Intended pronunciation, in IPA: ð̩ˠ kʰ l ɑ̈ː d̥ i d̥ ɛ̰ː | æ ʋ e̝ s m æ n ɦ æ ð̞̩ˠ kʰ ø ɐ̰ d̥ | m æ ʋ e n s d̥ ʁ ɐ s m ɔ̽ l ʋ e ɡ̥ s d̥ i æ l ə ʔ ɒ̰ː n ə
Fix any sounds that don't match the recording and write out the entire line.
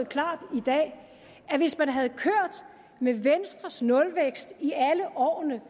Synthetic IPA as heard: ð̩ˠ kʰ l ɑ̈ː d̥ i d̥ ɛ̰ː | æ ʋ e̝ s m æ n ɦ æ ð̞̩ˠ kʰ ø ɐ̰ d̥ | m e ʋ e n s d̥ ʁ ɐ s n ɔ̽ l ʋ e ɡ̥ s d̥ i æ l ə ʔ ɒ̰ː n ə